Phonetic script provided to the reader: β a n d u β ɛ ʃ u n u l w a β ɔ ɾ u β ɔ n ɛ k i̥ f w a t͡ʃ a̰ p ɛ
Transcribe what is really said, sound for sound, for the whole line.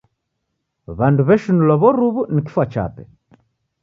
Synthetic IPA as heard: β a n d u β ɛ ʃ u n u l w a β ɔ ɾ u β u n i k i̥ f w a t͡ʃ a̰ p ɛ